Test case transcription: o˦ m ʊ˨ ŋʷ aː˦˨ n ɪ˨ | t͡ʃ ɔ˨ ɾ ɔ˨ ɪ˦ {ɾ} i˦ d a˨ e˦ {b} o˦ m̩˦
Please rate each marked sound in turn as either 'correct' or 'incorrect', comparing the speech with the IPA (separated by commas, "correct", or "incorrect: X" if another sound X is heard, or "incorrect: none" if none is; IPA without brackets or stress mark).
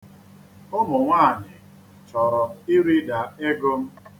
correct, incorrect: ɡ